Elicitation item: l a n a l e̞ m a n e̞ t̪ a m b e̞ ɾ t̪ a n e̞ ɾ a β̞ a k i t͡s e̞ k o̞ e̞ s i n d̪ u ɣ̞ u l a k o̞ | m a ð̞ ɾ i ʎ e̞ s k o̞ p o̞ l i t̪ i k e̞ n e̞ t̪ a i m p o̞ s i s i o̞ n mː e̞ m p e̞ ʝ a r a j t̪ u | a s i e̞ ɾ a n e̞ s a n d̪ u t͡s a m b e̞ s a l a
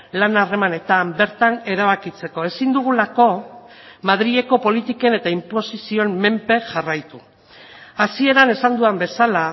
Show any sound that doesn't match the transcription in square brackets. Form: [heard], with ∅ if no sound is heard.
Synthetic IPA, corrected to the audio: l a n a [r] e̞ m a n e̞ t̪ a m b e̞ ɾ t̪ a n e̞ ɾ a β̞ a k i t͡s e̞ k o̞ e̞ s i n d̪ u ɣ̞ u l a k o̞ | m a ð̞ ɾ i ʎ e̞ [∅] k o̞ p o̞ l i t̪ i k e̞ n e̞ t̪ a i m p o̞ s i s i o̞ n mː e̞ m p e̞ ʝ a r a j t̪ u | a s i e̞ ɾ a n e̞ s a n d̪ u [∅] a m b e̞ s a l a